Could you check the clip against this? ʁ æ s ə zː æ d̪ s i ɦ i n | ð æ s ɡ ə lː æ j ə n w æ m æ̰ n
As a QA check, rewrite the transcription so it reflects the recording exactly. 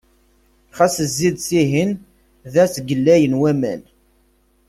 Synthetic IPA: χ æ s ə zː i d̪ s i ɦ i n | ð æ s ɡ ə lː æ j ə n w æ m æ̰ n

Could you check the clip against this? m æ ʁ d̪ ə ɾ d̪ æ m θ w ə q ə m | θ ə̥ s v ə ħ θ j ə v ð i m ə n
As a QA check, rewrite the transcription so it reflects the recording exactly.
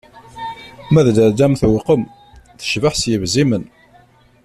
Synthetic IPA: m æ ð d̪ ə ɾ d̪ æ m θ w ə q ə m | θ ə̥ ʃ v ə ħ s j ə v z i m ə n

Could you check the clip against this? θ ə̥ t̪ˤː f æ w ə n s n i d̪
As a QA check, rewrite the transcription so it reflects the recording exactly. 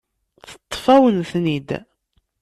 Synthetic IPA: θ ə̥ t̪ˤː f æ w ə n θ n i d̪

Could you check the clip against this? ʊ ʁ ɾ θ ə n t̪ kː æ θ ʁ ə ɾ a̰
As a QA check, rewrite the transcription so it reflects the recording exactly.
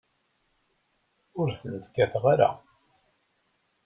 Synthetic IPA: ʊ ɾ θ ə n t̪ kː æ θ ʁ a ɾ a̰

